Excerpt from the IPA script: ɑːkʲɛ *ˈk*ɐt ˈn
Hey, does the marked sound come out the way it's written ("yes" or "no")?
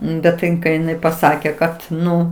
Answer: yes